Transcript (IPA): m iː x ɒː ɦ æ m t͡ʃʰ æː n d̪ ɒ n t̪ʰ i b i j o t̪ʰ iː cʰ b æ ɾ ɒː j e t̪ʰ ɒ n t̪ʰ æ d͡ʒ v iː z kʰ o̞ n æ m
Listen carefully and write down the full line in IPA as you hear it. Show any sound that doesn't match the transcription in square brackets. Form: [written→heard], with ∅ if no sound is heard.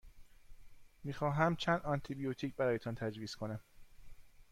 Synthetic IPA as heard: m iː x ɒː ɦ æ m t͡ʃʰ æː n d̪ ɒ n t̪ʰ i b i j o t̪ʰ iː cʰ b æ ɾ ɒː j e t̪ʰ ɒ n t̪ʰ æ d͡ʒ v iː [z→s] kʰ o̞ n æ m

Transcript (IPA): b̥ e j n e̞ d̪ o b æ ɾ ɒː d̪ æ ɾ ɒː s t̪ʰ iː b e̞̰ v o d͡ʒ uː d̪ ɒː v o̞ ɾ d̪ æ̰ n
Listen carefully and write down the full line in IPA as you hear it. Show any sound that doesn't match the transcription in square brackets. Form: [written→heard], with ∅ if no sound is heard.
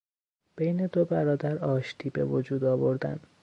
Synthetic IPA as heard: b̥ e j n e̞ d̪ o b æ ɾ ɒː d̪ æ ɾ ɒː [s→ʃ] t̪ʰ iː b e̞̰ v o d͡ʒ uː d̪ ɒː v o̞ ɾ d̪ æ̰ n

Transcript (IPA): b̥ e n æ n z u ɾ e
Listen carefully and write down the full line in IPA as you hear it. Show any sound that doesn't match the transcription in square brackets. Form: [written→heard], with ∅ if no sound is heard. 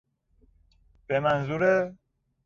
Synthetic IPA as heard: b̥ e [n→m] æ n z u ɾ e

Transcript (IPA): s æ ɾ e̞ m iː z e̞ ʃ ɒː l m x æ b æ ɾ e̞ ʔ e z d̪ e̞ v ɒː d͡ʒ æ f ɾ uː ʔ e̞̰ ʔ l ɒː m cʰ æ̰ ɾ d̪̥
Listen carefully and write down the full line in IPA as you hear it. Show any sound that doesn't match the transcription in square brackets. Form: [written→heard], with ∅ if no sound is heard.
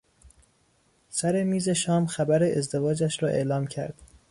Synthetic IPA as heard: s æ ɾ e̞ m iː z e̞ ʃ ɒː [l→∅] m x æ b æ ɾ e̞ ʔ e z d̪ e̞ v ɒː d͡ʒ æ [f→ʃ] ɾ [uː→ɒː] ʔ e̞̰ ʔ l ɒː m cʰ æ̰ ɾ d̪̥

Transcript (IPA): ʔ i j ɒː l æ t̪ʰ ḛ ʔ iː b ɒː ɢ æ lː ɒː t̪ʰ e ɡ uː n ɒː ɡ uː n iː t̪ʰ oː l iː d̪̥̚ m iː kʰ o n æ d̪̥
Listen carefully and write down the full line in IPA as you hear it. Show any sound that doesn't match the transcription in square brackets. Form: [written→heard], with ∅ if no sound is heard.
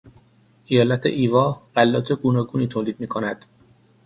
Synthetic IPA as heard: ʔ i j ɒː l æ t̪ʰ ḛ ʔ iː [b→v] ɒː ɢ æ lː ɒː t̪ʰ e ɡ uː n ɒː ɡ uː n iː t̪ʰ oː l iː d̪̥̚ m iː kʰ o n æ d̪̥

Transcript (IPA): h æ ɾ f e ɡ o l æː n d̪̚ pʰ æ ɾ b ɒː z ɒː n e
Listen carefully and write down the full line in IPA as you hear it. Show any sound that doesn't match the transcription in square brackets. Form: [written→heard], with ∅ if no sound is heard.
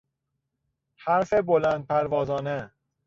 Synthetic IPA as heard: h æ ɾ f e [ɡ→b] o l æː n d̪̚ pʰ æ ɾ [b→v] ɒː z ɒː n e

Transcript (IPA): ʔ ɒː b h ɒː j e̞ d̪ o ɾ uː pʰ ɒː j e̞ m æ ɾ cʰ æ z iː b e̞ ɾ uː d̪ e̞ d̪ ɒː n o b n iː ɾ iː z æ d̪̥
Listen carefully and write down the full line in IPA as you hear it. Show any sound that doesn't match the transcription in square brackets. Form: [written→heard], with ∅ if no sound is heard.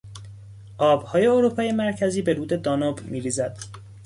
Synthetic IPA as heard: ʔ ɒː b h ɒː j e̞ [d̪→∅] o ɾ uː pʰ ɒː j e̞ m æ ɾ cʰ æ z iː b e̞ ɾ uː d̪ e̞ d̪ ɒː n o b [n→m] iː ɾ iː z æ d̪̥

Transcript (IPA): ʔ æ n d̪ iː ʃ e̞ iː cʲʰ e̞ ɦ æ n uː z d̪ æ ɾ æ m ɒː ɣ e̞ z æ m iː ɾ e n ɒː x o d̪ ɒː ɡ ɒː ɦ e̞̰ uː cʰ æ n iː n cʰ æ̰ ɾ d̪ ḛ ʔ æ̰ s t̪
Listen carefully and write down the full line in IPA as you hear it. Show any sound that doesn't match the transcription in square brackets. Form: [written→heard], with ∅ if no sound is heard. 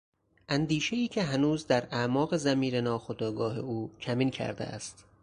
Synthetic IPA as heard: ʔ æ n d̪ iː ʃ e̞ iː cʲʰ e̞ ɦ æ n uː z d̪ æ ɾ æ m ɒː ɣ e̞ z æ m iː ɾ e n ɒː x o d̪ ɒː ɡ ɒː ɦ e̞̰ uː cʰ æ [n→m] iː n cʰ æ̰ ɾ d̪ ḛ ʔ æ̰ s t̪

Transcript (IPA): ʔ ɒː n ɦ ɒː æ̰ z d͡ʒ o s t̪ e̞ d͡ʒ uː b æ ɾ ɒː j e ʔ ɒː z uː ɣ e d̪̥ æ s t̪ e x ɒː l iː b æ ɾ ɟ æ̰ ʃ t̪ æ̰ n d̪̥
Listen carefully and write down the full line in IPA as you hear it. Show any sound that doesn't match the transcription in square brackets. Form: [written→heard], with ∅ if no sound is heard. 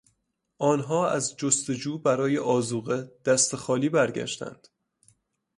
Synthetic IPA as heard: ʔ ɒː n ɦ ɒː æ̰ z d͡ʒ o s t̪ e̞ d͡ʒ uː b æ ɾ ɒː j e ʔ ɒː z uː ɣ e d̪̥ æ s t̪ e x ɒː l iː b æ ɾ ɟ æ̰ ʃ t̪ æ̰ n d̪̥

